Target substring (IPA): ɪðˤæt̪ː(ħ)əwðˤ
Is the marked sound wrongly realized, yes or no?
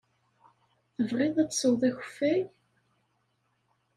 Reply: yes